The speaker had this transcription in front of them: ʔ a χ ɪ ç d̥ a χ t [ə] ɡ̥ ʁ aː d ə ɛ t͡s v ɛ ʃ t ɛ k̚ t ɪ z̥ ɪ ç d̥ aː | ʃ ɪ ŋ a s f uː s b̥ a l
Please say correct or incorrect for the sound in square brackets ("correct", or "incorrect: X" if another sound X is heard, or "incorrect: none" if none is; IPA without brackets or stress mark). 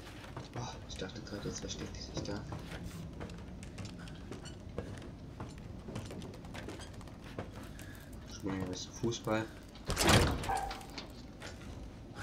correct